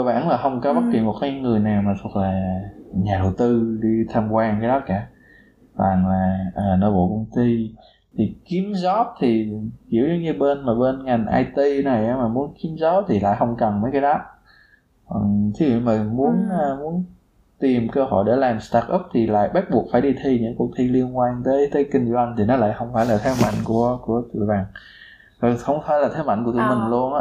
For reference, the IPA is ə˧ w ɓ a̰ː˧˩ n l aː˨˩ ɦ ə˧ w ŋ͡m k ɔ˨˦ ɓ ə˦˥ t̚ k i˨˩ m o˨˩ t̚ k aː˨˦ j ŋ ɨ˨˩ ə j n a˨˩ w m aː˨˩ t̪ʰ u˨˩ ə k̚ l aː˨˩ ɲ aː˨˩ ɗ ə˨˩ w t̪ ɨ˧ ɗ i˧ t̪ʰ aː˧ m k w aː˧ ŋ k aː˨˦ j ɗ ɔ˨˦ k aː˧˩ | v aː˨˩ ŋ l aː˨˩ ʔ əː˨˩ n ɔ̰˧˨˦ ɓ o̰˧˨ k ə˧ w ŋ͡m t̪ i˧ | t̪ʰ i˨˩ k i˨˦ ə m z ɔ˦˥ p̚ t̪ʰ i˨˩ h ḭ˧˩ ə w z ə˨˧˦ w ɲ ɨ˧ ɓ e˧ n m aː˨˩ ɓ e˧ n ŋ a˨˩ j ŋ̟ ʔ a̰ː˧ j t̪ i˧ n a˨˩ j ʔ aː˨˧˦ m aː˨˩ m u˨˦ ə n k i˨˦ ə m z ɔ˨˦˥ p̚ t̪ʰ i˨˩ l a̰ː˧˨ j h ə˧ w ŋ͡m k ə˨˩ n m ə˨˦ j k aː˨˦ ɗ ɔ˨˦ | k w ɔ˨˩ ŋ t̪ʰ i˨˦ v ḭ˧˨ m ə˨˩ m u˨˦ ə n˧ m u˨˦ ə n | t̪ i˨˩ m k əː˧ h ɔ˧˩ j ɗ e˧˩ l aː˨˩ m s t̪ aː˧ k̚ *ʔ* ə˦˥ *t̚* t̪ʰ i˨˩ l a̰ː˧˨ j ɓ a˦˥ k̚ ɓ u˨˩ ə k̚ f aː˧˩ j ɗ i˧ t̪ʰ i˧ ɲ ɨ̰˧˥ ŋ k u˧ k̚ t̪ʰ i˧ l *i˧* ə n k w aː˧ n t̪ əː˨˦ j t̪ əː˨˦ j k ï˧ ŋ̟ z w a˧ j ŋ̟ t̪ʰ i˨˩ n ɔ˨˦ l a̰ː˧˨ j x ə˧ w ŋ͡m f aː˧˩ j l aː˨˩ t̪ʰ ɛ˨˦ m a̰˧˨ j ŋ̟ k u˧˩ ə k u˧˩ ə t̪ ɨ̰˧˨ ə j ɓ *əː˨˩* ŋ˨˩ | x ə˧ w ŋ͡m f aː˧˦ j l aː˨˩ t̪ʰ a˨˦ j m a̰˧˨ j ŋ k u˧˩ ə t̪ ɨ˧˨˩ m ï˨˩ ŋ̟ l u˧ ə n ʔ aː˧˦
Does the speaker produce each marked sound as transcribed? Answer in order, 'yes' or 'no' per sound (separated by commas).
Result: yes, no, yes, no